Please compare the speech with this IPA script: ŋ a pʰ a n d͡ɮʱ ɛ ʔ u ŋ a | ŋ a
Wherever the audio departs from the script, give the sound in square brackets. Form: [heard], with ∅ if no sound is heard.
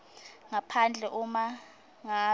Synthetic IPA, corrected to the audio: ŋ a pʰ a n d͡ɮʱ ɛ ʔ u [m] a | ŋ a